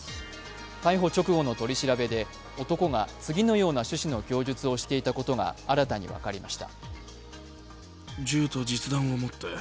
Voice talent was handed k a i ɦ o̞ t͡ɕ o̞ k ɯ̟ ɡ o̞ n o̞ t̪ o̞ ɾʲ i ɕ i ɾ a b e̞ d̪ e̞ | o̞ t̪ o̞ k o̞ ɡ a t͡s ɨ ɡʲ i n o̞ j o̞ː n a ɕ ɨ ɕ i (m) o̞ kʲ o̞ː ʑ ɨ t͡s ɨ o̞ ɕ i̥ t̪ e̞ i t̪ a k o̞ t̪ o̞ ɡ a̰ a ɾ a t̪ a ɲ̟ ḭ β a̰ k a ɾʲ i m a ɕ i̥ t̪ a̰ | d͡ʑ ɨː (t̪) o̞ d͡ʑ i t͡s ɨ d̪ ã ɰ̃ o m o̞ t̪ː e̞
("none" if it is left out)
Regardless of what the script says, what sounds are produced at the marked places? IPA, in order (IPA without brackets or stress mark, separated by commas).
n, t̪